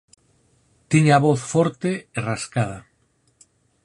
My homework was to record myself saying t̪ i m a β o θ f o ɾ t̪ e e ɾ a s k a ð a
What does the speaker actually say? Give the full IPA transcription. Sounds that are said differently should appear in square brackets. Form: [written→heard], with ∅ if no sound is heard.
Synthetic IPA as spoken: t̪ i [m→ɲ] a β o θ f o ɾ t̪ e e [ɾ→r] a s k a ð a